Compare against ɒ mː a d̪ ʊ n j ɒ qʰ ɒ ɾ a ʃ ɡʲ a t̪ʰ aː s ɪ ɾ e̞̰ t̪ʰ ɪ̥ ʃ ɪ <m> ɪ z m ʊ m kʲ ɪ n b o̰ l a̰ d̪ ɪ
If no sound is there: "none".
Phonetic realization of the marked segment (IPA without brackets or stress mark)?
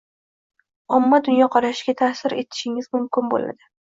ŋ